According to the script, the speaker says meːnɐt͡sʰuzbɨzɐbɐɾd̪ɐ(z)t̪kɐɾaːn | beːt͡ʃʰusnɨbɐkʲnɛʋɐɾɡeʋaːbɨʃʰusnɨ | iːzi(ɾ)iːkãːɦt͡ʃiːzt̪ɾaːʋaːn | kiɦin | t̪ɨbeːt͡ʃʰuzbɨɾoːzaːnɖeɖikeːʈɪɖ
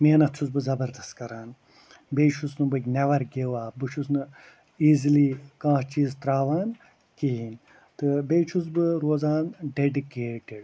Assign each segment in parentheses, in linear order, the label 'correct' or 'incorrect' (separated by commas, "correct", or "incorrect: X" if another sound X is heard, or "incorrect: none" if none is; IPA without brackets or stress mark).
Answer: incorrect: s, incorrect: l